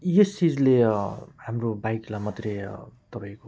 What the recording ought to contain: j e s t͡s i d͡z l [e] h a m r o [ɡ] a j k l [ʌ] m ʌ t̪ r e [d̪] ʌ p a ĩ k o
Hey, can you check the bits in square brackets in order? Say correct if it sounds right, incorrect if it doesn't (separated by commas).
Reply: correct, incorrect, incorrect, incorrect